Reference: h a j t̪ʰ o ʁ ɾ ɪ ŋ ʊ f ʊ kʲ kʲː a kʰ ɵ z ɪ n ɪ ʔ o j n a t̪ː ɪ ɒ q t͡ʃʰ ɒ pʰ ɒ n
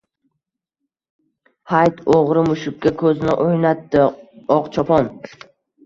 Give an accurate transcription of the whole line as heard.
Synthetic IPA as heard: h a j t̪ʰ o ʁ ɾ ɪ m ʊ ʃ ʊ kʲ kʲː a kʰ ɵ z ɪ n ɪ ʔ o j n a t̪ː ɪ ɒ q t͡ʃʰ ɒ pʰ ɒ n